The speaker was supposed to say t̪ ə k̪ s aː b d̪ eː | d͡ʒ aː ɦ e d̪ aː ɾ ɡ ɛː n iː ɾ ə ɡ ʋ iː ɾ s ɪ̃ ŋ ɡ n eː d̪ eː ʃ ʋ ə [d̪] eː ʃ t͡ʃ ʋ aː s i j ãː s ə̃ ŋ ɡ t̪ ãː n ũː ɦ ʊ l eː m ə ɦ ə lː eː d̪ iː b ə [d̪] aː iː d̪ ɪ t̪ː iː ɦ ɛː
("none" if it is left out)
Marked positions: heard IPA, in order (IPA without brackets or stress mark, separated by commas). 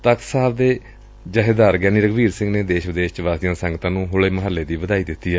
d̪, d̪